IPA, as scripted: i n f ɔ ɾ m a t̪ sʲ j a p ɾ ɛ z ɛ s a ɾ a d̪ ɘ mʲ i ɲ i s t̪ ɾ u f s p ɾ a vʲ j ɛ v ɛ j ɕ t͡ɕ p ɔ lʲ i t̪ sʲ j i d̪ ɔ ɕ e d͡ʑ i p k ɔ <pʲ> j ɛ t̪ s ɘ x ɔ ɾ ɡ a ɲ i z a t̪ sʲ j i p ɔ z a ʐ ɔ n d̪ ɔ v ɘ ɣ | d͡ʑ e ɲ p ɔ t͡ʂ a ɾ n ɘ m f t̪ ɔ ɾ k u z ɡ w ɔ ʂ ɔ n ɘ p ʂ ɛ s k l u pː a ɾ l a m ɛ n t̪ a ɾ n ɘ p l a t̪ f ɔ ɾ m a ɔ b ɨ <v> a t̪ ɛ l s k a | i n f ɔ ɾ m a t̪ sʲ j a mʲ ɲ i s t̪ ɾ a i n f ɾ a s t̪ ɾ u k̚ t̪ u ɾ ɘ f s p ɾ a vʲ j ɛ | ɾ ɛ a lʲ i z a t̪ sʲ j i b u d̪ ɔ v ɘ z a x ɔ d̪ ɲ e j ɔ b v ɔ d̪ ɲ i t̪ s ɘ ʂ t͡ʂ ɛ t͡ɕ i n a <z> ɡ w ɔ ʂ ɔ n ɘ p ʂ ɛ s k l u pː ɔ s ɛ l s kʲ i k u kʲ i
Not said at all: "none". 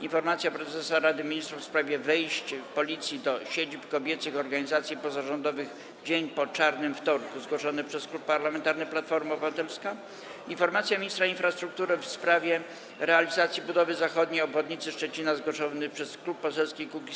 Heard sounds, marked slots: bʲ, v, z

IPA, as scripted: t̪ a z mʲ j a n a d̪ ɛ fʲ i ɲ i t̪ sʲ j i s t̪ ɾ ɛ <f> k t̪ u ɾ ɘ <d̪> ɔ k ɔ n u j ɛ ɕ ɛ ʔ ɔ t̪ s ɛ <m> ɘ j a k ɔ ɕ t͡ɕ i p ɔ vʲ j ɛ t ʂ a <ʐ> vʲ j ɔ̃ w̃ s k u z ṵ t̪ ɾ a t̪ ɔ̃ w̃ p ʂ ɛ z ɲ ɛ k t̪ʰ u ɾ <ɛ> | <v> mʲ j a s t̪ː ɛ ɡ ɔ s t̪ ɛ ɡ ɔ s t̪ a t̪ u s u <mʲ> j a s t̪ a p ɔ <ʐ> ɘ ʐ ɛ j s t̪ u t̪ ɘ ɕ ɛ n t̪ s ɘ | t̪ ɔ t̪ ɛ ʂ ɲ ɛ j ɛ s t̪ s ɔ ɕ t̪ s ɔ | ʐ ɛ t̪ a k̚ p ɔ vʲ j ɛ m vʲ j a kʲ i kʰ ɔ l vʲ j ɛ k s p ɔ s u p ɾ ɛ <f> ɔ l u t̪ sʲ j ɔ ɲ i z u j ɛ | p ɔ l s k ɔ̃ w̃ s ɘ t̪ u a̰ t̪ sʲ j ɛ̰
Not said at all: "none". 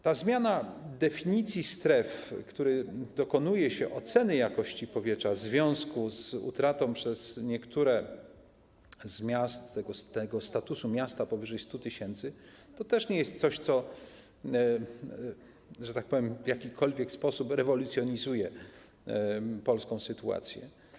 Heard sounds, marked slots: f, d̪, n, z, ɛ, z, mʲ, v, v

